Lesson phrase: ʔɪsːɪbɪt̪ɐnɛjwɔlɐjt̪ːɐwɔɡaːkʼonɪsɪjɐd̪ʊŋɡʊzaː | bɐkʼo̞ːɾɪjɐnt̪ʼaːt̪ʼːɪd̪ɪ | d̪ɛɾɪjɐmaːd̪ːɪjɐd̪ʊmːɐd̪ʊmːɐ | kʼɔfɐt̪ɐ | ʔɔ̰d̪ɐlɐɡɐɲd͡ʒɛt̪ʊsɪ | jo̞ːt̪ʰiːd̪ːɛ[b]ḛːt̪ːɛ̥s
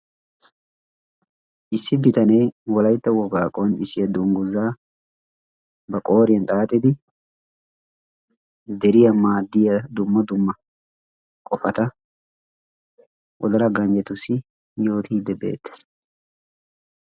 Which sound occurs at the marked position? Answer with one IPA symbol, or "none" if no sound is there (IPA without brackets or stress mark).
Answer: b